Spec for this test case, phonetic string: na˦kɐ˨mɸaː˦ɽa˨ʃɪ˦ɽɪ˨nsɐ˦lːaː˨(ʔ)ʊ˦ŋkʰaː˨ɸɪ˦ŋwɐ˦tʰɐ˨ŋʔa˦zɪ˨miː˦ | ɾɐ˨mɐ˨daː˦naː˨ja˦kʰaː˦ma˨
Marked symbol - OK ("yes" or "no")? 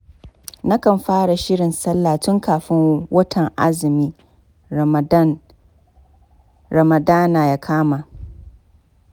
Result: no